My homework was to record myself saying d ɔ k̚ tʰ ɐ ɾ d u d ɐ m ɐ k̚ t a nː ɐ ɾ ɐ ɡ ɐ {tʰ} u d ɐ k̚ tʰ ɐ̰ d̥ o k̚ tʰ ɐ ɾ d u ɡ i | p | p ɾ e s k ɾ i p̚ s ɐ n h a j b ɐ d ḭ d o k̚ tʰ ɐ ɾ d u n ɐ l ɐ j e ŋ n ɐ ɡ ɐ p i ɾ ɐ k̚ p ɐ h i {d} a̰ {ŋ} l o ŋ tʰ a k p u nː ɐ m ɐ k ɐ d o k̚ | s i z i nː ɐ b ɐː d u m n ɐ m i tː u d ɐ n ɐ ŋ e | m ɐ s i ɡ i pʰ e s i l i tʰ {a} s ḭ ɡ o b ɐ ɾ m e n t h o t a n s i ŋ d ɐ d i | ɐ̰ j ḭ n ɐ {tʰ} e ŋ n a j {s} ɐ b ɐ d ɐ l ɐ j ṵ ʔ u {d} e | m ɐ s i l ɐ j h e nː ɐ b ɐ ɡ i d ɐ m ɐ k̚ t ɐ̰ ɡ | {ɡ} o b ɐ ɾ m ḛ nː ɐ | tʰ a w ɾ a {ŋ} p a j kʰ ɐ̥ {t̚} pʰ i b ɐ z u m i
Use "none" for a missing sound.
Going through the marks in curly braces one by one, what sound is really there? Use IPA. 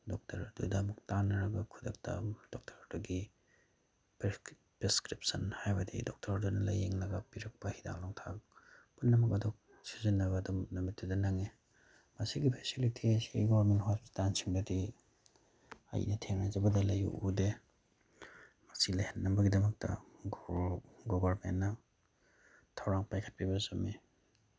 kʰ, d, ŋ, i, tʰ, z, d, ɡ, ŋ, t̚

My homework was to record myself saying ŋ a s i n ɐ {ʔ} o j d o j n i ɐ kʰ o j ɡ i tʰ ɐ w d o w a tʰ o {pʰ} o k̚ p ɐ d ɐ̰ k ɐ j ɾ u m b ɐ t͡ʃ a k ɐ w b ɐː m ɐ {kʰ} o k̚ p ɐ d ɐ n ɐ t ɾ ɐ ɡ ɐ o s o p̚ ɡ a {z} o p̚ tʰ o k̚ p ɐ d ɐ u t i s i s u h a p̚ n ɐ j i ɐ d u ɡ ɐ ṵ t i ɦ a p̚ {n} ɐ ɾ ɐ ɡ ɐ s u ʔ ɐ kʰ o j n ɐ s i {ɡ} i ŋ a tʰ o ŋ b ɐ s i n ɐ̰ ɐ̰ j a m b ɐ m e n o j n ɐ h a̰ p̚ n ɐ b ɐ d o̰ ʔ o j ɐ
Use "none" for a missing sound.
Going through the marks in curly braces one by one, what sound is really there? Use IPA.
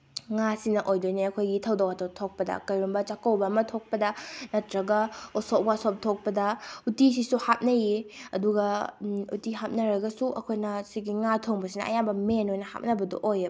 ʔ, tʰ, tʰ, s, n, ɡ

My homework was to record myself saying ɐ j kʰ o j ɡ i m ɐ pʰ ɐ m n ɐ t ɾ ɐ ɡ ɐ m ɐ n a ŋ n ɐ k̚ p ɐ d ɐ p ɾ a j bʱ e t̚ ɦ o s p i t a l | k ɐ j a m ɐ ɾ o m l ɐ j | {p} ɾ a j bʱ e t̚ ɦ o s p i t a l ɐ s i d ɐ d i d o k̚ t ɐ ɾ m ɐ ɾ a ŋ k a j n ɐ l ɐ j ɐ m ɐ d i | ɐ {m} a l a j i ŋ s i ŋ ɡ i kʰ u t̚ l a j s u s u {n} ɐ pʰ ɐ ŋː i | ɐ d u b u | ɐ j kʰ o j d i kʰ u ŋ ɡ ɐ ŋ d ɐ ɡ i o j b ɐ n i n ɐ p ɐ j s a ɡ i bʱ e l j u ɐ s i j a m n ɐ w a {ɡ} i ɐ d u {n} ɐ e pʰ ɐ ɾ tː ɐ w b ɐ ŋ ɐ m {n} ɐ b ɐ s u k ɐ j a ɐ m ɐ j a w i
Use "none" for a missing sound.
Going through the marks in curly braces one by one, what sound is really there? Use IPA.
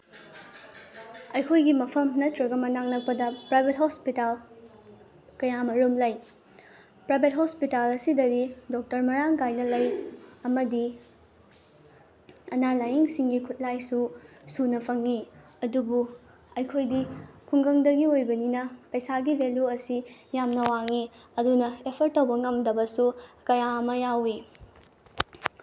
p, n, n, ŋ, n, d

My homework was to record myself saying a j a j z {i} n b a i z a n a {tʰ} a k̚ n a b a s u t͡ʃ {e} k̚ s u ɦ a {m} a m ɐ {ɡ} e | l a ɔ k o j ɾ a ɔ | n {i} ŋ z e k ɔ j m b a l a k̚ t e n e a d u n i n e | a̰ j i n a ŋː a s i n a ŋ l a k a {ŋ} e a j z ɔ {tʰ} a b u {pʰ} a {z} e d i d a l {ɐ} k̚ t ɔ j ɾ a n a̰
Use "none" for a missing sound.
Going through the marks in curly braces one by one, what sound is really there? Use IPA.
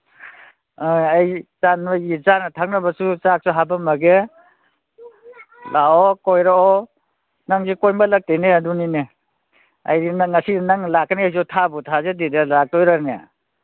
a, tʰ, a, b, ɡ, a, n, tʰ, tʰ, z, a

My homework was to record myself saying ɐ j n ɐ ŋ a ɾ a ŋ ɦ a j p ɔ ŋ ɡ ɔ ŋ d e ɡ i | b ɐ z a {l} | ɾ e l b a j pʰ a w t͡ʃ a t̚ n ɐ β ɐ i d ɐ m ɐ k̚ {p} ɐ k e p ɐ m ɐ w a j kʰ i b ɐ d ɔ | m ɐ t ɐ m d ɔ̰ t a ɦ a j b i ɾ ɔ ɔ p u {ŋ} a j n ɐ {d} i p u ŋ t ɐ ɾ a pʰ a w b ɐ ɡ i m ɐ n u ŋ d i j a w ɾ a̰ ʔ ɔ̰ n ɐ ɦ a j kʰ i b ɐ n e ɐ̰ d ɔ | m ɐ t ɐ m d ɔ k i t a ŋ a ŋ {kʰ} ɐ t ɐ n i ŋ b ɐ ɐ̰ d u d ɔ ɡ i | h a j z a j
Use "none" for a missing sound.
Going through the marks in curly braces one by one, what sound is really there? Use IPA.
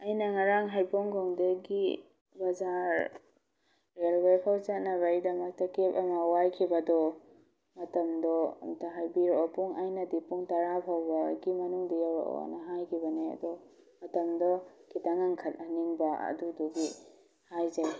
ɾ, t, ŋ, d, kʰ

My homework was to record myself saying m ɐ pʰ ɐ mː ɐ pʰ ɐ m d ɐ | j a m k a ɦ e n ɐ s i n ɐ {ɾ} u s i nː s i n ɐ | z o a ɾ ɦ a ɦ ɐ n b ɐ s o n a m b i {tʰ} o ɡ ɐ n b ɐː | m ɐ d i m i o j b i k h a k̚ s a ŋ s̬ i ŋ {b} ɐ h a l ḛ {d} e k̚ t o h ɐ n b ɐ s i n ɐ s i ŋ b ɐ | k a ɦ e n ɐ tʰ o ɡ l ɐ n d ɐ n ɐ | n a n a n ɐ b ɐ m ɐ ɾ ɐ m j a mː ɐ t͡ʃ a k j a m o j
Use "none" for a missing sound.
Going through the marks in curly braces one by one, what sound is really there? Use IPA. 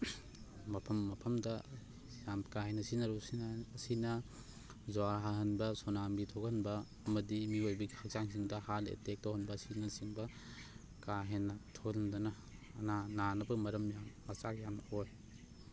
ɾ, tʰ, d, t

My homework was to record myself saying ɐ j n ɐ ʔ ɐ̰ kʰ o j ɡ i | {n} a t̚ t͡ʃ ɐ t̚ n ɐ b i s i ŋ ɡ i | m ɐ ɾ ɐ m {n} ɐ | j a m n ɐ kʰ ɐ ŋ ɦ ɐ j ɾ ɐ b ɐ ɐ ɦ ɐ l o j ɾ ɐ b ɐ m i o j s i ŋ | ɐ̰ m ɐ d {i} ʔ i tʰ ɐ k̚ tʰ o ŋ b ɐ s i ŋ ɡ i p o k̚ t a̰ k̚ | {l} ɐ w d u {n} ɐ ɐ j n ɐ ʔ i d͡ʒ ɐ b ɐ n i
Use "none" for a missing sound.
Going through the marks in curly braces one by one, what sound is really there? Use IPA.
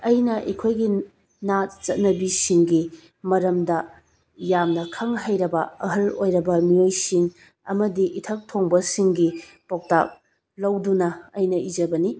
n, d, i, l, n

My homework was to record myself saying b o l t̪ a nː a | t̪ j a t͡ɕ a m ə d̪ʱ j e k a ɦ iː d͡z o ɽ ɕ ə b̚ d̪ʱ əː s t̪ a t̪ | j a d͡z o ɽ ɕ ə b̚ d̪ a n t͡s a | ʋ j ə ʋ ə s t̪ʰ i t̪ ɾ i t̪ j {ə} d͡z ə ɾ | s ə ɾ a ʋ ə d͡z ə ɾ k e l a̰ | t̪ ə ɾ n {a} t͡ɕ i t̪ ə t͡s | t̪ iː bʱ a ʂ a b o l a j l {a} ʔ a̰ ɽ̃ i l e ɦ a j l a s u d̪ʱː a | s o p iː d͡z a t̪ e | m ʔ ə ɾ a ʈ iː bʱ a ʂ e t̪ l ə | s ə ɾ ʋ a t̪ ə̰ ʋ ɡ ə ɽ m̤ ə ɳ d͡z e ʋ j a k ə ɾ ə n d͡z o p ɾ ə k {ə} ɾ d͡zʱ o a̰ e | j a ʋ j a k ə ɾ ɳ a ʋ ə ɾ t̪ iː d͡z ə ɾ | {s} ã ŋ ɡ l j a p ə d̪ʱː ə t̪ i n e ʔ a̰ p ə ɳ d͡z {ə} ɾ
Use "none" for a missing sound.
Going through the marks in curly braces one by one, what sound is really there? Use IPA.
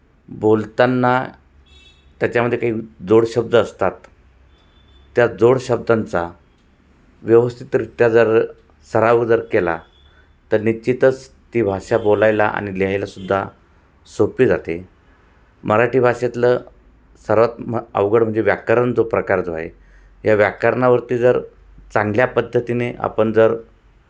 a, i, a, a, t͡s, ə

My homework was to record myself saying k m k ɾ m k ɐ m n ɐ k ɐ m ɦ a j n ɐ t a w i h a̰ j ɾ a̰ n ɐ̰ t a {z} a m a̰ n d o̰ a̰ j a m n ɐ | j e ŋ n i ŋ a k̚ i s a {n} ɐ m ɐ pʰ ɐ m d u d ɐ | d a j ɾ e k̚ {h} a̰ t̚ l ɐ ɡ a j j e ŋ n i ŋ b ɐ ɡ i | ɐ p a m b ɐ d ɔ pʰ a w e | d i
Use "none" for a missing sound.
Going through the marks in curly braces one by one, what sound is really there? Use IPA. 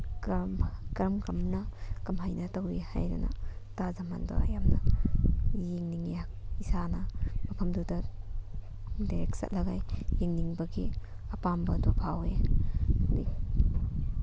z, n, s

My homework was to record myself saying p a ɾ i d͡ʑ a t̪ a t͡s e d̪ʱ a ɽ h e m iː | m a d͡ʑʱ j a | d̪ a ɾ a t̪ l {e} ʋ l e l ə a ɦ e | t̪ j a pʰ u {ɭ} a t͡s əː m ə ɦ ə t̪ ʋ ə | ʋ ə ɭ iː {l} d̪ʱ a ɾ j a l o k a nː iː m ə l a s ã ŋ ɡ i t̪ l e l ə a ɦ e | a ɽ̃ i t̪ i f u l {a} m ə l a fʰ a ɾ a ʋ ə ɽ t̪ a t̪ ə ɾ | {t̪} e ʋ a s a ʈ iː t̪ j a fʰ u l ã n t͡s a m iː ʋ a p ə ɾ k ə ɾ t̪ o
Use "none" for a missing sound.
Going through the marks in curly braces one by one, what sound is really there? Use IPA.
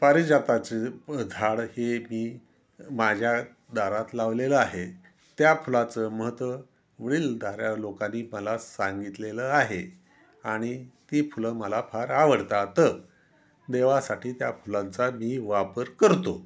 a, l, l, ə, d̪

